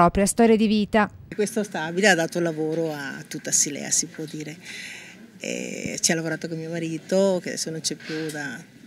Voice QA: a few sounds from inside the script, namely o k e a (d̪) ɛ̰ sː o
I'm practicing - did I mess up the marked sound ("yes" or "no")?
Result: no